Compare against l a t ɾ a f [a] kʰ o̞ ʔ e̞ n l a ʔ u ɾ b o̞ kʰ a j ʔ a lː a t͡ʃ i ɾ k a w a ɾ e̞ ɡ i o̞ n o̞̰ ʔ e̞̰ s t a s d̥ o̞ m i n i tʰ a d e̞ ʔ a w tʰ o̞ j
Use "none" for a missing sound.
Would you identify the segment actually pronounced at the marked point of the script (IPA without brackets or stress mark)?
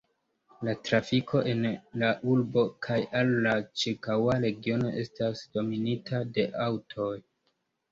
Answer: i